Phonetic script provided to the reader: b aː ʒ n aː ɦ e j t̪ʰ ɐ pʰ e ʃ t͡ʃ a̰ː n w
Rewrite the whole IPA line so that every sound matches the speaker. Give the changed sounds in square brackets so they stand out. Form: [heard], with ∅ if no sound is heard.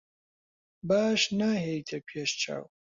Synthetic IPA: b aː [ʃ] n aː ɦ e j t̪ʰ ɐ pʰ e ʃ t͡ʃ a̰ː [∅] w